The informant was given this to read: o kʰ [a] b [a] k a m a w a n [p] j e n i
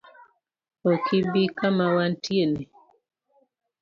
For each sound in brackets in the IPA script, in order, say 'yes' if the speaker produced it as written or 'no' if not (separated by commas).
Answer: no, no, no